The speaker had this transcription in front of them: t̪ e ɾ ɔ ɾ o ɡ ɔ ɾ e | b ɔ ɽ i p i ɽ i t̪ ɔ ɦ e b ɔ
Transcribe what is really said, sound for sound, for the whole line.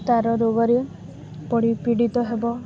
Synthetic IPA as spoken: t̪ a ɾ ɔ ɾ o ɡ ɔ ɾ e | p ɔ ɽ i p i ɽ i t̪ ɔ ɦ e b ɔ